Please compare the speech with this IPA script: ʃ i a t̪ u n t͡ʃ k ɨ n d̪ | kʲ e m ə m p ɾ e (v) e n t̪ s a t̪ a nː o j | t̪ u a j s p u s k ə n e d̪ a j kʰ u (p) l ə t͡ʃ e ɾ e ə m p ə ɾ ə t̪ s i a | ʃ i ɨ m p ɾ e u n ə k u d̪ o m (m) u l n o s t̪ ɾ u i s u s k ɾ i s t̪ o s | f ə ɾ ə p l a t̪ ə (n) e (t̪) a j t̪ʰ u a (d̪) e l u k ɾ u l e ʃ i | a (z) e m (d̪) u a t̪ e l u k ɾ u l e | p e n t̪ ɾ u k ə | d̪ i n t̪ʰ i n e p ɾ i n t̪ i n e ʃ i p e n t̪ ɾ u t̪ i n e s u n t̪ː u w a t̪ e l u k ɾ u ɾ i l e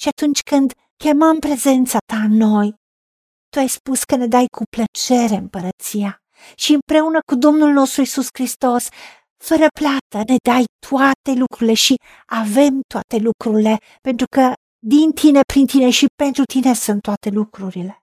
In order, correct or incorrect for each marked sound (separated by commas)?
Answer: incorrect, correct, incorrect, correct, incorrect, incorrect, incorrect, incorrect